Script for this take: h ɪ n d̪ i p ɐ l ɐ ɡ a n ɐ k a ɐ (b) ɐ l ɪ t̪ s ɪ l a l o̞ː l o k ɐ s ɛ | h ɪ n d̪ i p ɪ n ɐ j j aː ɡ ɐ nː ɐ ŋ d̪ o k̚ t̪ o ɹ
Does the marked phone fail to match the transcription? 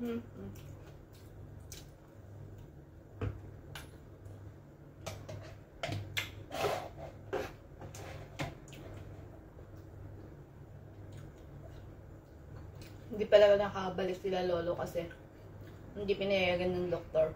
no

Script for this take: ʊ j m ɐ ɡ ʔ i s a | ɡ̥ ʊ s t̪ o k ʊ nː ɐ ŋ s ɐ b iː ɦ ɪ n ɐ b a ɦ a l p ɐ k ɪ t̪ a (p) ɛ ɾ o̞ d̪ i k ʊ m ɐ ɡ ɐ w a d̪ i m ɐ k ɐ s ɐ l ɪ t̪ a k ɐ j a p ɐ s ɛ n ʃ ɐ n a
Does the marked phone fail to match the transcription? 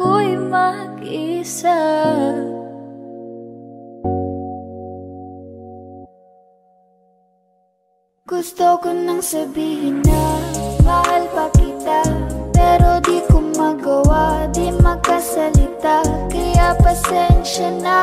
no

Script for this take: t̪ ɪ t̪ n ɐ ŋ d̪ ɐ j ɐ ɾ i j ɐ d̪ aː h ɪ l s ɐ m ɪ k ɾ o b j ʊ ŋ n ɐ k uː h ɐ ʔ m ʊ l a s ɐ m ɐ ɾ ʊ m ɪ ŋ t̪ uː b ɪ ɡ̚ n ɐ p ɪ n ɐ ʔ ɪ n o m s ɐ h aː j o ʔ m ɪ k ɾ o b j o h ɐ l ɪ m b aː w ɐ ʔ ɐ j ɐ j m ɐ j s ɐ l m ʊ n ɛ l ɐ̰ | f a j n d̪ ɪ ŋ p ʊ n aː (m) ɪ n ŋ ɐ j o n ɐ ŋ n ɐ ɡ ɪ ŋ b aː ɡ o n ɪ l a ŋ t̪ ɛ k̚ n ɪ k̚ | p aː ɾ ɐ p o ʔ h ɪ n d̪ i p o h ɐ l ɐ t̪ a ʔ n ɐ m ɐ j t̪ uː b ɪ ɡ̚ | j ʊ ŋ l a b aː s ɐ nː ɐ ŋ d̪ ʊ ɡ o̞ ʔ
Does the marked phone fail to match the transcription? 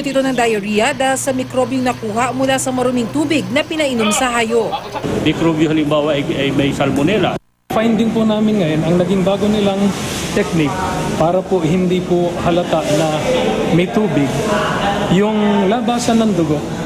no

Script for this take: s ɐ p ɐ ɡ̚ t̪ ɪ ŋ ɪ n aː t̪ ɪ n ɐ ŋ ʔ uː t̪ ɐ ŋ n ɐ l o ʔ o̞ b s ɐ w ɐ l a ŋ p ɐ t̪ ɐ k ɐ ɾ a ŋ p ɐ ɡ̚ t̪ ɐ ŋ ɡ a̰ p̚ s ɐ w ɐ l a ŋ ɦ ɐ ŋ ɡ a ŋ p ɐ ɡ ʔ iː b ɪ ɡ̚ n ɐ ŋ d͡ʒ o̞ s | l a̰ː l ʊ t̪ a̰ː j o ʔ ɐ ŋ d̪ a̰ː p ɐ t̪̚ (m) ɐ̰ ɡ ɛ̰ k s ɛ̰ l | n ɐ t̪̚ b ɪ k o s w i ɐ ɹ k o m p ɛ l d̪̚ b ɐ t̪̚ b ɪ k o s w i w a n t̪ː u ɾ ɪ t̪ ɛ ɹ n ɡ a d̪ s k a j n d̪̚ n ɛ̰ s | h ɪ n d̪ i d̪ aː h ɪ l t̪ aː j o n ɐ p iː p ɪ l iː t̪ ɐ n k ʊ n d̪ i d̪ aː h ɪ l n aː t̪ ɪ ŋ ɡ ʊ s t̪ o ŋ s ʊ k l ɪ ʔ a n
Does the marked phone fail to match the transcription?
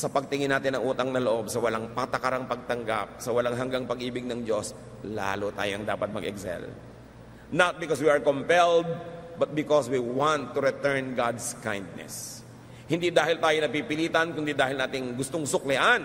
no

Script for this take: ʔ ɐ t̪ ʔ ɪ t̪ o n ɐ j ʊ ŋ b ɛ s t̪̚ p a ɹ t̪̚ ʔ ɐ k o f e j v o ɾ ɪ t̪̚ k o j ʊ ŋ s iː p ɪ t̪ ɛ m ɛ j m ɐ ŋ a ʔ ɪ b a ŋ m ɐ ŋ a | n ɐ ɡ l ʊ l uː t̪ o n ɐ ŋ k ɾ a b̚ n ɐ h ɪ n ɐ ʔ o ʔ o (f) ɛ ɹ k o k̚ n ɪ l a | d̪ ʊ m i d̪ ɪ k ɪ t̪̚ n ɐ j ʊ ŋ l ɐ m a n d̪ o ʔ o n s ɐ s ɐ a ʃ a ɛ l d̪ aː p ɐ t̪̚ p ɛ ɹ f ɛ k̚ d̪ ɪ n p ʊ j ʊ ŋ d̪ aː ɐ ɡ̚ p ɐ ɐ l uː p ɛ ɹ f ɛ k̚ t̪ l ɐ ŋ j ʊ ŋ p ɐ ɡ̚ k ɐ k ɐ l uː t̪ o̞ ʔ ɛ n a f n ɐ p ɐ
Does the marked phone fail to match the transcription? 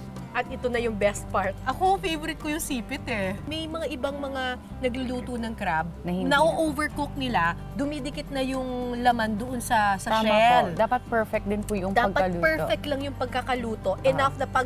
yes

